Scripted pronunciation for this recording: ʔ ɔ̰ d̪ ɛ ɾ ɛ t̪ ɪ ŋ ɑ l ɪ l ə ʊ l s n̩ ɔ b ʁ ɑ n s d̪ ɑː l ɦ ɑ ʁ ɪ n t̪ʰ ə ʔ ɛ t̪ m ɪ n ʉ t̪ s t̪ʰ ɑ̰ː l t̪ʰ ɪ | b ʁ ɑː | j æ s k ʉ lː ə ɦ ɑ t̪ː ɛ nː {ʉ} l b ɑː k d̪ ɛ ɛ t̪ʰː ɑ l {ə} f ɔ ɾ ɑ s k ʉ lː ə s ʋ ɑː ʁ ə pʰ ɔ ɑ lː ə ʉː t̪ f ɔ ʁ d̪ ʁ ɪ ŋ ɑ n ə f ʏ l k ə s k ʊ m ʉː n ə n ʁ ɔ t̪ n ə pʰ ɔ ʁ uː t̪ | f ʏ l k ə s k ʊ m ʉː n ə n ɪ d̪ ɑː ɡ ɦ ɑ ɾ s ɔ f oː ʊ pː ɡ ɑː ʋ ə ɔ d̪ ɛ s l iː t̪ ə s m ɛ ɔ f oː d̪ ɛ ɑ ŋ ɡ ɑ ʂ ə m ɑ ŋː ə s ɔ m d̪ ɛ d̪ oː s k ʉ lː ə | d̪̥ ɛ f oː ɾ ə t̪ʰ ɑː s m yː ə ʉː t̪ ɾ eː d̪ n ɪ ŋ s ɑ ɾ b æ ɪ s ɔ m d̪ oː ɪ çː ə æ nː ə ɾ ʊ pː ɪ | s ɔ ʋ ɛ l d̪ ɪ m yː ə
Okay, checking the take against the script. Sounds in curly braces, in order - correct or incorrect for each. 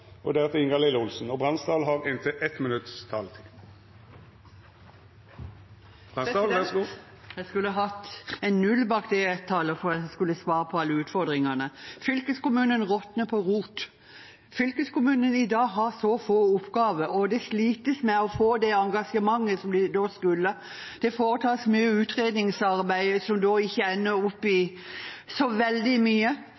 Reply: correct, correct

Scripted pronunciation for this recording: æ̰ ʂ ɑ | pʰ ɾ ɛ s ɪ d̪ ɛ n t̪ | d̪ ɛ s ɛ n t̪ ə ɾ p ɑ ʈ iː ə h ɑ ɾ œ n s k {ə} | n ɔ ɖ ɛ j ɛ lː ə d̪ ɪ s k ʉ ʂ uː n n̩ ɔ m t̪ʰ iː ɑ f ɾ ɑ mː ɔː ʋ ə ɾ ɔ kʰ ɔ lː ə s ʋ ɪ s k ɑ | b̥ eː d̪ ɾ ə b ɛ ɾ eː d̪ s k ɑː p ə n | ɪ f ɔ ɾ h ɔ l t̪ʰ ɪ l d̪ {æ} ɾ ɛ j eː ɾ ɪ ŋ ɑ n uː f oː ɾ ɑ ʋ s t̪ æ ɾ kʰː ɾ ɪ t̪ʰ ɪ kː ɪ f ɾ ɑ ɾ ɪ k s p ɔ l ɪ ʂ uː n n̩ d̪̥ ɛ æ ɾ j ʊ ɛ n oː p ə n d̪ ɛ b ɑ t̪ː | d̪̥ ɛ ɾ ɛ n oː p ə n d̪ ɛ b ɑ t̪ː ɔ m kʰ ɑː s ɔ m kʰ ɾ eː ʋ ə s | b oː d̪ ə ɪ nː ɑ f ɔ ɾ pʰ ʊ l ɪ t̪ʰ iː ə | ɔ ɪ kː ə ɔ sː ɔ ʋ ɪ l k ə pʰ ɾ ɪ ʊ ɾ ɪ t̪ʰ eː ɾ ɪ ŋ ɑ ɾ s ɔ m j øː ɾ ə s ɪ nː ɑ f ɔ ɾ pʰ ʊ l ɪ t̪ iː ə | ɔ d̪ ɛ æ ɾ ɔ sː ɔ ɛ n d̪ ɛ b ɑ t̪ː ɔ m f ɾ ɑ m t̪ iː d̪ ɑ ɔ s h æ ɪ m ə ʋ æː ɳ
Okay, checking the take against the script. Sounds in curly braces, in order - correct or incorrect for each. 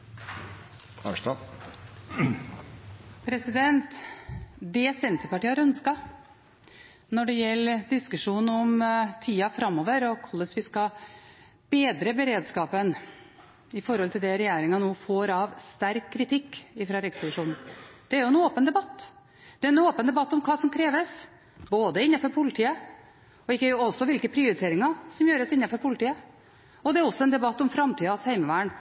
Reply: incorrect, incorrect

